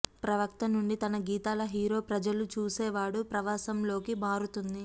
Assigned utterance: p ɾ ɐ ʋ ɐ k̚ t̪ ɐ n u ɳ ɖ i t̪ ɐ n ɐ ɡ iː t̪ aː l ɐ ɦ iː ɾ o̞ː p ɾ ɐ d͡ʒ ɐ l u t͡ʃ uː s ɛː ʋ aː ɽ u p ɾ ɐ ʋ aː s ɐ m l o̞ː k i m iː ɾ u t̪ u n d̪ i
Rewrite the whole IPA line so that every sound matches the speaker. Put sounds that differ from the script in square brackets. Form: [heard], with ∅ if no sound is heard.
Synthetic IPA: p ɾ ɐ ʋ ɐ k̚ t̪ ɐ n u ɳ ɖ i t̪ ɐ n ɐ ɡ iː t̪ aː l ɐ ɦ iː ɾ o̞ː p ɾ ɐ d͡ʒ ɐ l u t͡ʃ uː s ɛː ʋ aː ɽ u p ɾ ɐ ʋ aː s ɐ m l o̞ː k i m [aː] ɾ u t̪ u n d̪ i